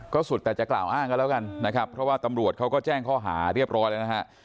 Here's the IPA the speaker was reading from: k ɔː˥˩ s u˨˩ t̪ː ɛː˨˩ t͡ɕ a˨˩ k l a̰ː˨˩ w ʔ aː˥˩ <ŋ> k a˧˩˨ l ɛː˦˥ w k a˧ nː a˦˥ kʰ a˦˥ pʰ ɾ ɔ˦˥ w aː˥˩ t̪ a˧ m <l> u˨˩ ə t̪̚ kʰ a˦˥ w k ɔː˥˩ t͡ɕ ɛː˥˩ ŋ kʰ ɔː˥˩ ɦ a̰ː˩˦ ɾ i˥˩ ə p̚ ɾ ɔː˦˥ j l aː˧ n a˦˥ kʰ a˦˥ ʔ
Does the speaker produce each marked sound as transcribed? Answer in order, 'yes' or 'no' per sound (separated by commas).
yes, no